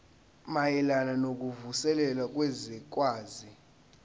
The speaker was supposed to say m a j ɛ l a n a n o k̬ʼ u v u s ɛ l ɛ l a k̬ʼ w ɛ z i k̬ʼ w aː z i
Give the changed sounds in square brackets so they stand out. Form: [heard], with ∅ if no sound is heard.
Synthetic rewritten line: m a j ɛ l a n a n o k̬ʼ u v u s ɛ l ɛ l a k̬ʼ w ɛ z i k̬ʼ w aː z i

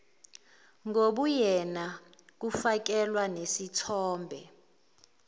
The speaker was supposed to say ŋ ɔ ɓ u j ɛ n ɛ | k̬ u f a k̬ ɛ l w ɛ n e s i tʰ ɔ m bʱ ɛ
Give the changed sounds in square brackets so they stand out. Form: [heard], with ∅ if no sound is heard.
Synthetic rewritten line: ŋ [o] ɓ u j ɛ n [a] | k̬ u f a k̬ ɛ l w [a] n e s i tʰ [ɔː] m bʱ ɛ

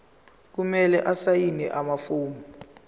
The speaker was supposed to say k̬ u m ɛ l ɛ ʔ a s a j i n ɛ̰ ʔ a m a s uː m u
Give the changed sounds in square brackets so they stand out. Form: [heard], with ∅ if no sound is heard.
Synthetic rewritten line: k̬ u m ɛ l ɛ ʔ a s a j i n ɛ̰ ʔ a m a [f] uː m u

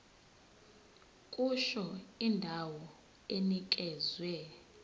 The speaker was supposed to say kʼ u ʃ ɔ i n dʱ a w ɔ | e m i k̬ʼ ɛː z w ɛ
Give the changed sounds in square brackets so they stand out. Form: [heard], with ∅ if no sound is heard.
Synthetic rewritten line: kʼ u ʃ ɔ i n dʱ a w ɔ | e [n] i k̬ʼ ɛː z w ɛ

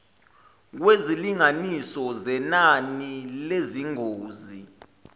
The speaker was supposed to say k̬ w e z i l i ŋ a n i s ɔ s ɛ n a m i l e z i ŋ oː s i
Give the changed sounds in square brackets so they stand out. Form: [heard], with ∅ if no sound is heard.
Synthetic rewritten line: k̬ w e z i l i ŋ a n i s ɔ [z] ɛ n a [n] i l e z i ŋ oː [z] i

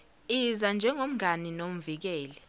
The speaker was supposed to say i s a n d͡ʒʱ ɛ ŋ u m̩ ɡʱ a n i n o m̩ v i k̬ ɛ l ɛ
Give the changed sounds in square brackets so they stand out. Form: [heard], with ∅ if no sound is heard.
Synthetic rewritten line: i [z] a n d͡ʒʱ ɛ ŋ [o] m̩ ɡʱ a n i n o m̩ v i k̬ [ɛː] l ɛ

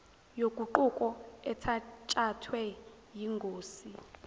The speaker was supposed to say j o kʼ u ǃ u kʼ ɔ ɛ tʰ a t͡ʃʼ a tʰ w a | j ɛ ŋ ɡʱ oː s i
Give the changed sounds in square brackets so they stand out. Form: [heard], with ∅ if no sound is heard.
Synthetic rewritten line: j o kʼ u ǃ u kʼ ɔ ɛ tʰ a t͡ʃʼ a tʰ w [ɛ] | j [i] ŋ ɡʱ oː s i

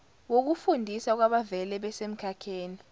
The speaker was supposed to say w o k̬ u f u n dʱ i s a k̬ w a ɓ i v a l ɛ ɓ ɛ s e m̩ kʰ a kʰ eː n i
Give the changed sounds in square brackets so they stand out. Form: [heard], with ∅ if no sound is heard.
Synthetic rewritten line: w o k̬ u f u n dʱ i s a k̬ w a ɓ [a] v [ɛ] l ɛ ɓ ɛ s e m̩ kʰ a kʰ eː n i

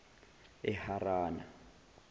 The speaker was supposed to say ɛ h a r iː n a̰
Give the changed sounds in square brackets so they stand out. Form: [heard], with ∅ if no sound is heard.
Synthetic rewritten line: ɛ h a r [aː] n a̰

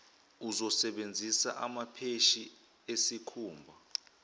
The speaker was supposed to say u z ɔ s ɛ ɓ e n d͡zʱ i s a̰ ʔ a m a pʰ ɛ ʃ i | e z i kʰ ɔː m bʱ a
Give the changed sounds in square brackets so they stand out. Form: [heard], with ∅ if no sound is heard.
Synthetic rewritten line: u z ɔ s ɛ ɓ e n d͡zʱ i s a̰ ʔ a m a pʰ [e] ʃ i | e [s] i kʰ [uː] m bʱ a

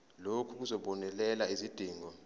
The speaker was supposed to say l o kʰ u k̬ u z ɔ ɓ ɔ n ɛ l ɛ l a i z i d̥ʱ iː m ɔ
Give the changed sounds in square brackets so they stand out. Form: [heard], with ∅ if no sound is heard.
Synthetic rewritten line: l o kʰ u k̬ u z ɔ ɓ ɔ n ɛ l ɛ l a i z i d̥ʱ iː [ŋ] ɔ

